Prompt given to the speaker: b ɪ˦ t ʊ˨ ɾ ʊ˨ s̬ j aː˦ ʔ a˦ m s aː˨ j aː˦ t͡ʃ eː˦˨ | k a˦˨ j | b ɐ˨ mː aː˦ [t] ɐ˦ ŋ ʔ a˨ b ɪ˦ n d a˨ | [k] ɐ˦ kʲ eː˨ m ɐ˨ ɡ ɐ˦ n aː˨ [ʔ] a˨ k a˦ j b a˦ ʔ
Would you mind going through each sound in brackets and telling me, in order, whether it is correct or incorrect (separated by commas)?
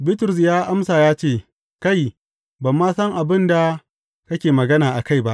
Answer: incorrect, correct, correct